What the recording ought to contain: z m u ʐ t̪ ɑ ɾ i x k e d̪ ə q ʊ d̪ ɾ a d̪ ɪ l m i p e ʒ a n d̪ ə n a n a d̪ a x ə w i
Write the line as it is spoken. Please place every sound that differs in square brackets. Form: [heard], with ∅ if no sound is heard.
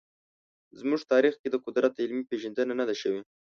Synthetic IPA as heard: z m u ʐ t̪ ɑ ɾ i x k e d̪ ə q ʊ d̪ ɾ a [t̪] ɪ l m i p e ʒ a n d̪ ə n a n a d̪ a [ʃ] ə w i

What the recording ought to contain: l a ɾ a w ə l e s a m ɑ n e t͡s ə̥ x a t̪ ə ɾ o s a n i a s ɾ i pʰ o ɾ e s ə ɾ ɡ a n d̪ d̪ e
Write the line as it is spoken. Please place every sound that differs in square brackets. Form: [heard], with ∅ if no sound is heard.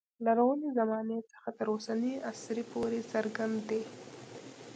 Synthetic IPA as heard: l a ɾ a w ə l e [z] a m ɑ n e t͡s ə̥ x a t̪ ə ɾ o s a n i a s ɾ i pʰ o ɾ e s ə ɾ ɡ a n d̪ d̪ e

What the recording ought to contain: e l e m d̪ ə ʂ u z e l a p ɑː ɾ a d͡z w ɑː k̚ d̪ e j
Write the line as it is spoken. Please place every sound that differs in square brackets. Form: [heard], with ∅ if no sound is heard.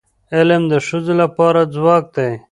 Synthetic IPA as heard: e l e m d̪ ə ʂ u z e l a p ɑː ɾ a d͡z w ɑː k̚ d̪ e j

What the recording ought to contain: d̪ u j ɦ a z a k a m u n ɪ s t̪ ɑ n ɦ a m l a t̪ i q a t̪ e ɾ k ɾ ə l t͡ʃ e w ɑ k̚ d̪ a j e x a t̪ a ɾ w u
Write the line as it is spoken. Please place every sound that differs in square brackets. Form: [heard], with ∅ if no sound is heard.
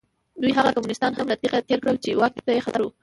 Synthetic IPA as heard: d̪ u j ɦ a [ɣ] a k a m u n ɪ s t̪ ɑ n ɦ a m l a t̪ i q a t̪ e ɾ k [ɽ] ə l t͡ʃ e w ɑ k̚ [t̪] a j e x a t̪ a ɾ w u

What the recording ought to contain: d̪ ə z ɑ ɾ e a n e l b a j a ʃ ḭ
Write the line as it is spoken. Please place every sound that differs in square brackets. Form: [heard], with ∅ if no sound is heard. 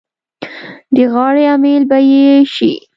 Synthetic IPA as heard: d̪ ə [ɣ] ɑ [ɽ] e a [m] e l b a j [e] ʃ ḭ

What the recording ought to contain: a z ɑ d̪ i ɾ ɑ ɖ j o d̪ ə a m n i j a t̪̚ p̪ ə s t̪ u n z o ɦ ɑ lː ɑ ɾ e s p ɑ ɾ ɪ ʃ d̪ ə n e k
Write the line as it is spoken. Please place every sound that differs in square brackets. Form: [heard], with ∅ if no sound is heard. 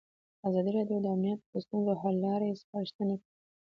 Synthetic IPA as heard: a z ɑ d̪ i ɾ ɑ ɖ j o d̪ ə a m n i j a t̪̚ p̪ ə s t̪ u n z o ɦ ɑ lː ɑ ɾ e s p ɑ ɾ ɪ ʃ [t̪] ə n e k

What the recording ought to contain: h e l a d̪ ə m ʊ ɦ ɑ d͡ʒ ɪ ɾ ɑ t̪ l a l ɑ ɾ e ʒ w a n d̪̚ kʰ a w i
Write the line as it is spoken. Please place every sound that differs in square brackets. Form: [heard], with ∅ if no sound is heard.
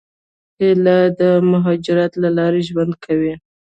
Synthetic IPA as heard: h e l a d̪ ə m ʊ ɦ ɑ d͡ʒ ɪ ɾ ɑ t̪ l a l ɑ ɾ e ʒ w a n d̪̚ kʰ a w i

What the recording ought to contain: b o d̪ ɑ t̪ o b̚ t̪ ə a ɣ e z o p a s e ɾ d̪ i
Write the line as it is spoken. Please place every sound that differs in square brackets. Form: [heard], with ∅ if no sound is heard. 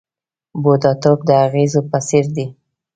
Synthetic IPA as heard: b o d̪ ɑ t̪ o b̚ [d̪] ə a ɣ e z o p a s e ɾ d̪ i

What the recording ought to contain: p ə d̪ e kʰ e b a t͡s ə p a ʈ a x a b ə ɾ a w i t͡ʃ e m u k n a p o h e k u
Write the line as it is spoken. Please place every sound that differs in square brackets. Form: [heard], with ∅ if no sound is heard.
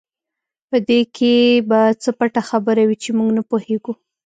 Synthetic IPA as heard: p ə d̪ e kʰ e b a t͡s ə p a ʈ a x a b ə ɾ a w i t͡ʃ e m u [ɡ] n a p o h e [ɡ] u

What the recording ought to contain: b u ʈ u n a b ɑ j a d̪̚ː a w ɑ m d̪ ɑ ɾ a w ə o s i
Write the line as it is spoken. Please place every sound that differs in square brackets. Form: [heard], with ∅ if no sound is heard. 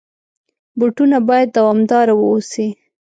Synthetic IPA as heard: b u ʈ u n a b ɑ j a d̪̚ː a w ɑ m d̪ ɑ ɾ a w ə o s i

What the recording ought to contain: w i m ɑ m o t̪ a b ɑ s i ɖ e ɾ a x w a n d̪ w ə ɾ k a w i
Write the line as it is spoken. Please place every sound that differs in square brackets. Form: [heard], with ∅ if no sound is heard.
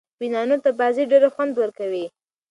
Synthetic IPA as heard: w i [n] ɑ [n] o t̪ a b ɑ [z] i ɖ e ɾ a x w a n d̪ w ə ɾ k a w i

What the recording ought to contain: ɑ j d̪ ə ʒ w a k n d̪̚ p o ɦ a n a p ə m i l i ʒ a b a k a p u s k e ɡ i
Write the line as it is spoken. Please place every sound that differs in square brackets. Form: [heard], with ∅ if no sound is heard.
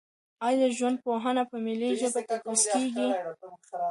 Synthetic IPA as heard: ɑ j d̪ ə ʒ w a [∅] n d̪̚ p o ɦ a n a p ə m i l i ʒ [ə] b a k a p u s k e ɡ i

